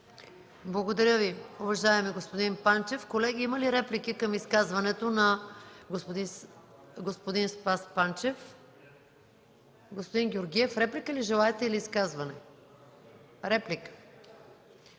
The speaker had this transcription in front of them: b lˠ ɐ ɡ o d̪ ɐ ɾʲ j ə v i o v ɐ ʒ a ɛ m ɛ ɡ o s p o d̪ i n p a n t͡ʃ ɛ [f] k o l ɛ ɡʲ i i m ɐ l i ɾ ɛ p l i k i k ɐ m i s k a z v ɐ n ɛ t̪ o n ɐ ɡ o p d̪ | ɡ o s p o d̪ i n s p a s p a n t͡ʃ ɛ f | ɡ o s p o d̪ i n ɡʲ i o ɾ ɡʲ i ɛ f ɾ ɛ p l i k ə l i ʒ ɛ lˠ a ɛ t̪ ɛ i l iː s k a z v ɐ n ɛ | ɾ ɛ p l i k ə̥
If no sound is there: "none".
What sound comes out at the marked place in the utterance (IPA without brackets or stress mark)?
f